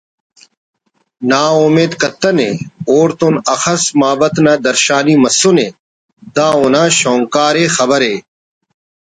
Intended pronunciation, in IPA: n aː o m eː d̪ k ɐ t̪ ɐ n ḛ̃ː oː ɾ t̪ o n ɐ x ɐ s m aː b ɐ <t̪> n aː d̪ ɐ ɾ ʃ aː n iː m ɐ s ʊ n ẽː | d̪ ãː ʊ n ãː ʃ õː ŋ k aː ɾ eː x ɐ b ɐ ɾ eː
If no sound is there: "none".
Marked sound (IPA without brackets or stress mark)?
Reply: t̪